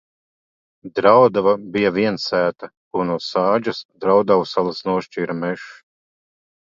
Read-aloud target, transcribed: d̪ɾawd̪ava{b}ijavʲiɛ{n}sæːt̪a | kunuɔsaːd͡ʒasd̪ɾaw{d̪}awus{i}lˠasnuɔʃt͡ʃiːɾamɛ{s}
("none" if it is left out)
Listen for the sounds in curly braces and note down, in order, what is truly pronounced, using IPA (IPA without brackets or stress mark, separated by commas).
b, n, d̪, a, ʃ